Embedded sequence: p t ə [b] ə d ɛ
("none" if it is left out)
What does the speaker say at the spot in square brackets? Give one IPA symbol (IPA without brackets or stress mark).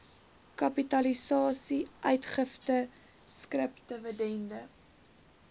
v